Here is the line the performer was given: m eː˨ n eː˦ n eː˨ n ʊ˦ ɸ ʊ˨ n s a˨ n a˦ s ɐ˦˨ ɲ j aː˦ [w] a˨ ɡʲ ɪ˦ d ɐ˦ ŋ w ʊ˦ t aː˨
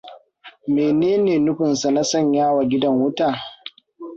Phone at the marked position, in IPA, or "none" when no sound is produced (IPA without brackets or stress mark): w